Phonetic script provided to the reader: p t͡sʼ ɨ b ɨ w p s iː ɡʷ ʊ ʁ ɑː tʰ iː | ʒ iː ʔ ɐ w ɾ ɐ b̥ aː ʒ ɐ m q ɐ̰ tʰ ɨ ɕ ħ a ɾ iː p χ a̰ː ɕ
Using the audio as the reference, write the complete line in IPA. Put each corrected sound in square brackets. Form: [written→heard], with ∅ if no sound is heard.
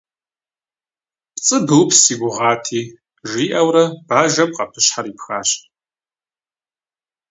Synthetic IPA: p t͡sʼ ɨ b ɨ w p s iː ɡʷ ʊ ʁ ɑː tʰ iː | ʒ iː ʔ ɐ w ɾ ɐ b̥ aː ʒ ɐ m q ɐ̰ [tʰ→pʰ] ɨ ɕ ħ a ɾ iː p [χ→x] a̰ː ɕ